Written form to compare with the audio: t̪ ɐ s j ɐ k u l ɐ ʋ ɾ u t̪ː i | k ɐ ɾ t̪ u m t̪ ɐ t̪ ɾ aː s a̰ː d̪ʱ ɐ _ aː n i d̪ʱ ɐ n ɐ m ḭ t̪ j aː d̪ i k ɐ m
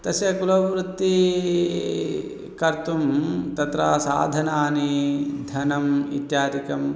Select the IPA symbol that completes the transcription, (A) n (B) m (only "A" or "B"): A